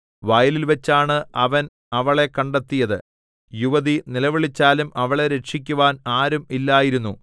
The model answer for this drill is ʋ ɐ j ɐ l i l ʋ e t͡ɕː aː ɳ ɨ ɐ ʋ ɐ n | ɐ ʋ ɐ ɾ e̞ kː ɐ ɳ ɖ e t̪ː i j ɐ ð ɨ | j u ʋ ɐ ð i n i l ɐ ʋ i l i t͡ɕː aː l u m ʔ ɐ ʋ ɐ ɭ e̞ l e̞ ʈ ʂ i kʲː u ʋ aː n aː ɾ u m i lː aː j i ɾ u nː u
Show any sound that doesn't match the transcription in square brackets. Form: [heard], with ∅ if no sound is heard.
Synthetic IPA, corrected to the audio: ʋ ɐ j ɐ l i l ʋ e t͡ɕː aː ɳ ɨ ɐ ʋ ɐ n | ɐ ʋ ɐ [ɭ] e̞ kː ɐ ɳ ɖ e t̪ː i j ɐ ð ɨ | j u ʋ ɐ ð i n i l ɐ ʋ i [ɭ] i t͡ɕː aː l u m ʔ ɐ ʋ ɐ ɭ e̞ [ɾ] e̞ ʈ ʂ i kʲː u ʋ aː n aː ɾ u m i lː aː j i ɾ u nː u